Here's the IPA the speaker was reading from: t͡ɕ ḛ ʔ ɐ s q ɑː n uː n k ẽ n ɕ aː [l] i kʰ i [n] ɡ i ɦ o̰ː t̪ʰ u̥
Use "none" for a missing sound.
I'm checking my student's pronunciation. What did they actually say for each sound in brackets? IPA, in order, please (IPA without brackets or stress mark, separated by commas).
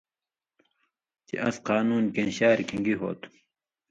ɾ, ŋ